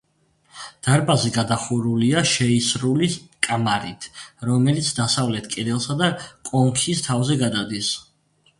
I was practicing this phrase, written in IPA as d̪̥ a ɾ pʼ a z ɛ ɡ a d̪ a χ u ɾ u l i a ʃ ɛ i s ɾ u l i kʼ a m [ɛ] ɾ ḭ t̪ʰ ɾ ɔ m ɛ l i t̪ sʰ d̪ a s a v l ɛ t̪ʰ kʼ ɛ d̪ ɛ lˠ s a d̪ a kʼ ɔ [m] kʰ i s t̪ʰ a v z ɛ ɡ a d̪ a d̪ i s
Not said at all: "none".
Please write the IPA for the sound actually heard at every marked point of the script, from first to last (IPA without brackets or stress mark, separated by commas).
a, ŋ